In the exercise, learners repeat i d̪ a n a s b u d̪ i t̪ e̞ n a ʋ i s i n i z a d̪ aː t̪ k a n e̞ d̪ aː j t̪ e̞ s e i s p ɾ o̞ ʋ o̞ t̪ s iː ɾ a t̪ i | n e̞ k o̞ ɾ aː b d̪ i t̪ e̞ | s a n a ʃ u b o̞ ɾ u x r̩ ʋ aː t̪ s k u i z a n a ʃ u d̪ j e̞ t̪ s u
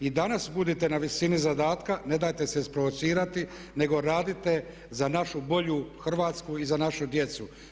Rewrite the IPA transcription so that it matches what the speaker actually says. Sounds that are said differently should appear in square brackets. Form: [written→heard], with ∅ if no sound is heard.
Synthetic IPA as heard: i d̪ a n a s b u d̪ i t̪ e̞ n a ʋ i s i n i z a d̪ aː t̪ k a n e̞ d̪ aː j t̪ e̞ s e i s p ɾ o̞ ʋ o̞ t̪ s iː ɾ a t̪ i | n e̞ [k→ɡ] o̞ ɾ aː [b→∅] d̪ i t̪ e̞ | [s→z] a n a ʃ u b o̞ [ɾ→ʎ] u x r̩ ʋ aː t̪ s k u i z a n a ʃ u d̪ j e̞ t̪ s u